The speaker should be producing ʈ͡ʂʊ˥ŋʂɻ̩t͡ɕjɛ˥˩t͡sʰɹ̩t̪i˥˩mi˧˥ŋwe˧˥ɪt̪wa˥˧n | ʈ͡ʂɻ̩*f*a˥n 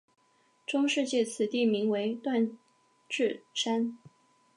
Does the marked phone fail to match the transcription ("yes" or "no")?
yes